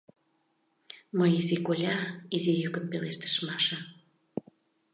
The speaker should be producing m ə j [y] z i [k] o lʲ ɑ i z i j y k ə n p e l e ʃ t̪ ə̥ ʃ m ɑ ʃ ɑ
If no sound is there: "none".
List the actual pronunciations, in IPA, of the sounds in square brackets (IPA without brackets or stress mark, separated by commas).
i, k